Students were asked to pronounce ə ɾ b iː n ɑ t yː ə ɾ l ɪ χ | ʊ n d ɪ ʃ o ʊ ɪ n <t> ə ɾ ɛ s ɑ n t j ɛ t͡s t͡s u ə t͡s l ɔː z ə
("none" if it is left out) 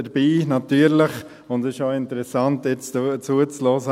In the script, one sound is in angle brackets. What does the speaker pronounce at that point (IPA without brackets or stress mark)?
t